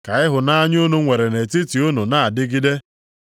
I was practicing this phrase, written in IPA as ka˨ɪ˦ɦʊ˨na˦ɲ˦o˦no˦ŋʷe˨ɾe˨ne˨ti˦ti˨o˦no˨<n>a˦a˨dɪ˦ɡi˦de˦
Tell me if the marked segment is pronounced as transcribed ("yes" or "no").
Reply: yes